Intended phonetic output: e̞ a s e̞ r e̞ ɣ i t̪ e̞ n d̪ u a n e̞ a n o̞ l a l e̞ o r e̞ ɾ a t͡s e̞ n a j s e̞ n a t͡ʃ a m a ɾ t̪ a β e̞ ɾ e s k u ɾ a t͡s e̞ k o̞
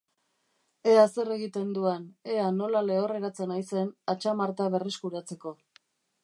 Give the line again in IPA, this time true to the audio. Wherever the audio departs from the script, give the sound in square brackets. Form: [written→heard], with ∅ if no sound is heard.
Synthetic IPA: e̞ a s e̞ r e̞ ɣ i t̪ e̞ n d̪ u a n e̞ a n o̞ l a l e̞ o r e̞ ɾ a t͡s e̞ n a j s e̞ n a t͡ʃ a m a ɾ t̪ a β e̞ [ɾ→r] e s k u ɾ a t͡s e̞ k o̞